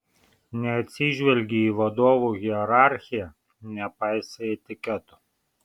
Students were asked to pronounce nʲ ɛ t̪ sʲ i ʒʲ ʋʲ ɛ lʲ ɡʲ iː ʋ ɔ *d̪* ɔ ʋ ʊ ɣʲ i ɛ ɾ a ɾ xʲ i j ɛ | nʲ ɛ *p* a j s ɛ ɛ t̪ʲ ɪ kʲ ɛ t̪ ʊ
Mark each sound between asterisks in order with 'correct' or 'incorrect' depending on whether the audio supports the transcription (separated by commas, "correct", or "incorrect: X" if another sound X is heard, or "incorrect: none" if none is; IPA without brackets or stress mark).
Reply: correct, correct